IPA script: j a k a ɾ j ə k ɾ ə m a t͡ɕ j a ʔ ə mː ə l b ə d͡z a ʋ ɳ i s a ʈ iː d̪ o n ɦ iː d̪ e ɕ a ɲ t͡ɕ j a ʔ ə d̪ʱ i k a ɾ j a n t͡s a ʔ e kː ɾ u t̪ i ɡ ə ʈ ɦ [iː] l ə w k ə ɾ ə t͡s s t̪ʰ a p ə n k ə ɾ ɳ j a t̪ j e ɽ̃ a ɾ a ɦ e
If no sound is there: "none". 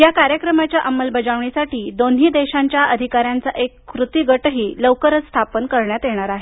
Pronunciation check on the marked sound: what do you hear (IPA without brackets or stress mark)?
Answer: iː